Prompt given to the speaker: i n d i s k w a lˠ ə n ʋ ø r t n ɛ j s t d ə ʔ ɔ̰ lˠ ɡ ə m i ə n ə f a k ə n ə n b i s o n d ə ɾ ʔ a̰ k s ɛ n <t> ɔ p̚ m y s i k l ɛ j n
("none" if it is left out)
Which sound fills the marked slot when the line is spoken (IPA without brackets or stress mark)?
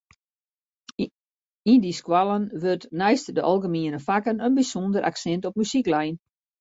t